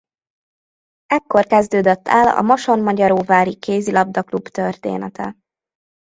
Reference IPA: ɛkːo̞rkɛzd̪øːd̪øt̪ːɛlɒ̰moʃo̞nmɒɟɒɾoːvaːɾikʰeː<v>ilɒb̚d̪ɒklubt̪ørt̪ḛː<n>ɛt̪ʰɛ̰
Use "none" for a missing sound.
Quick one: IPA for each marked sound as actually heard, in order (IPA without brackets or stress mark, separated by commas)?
z, n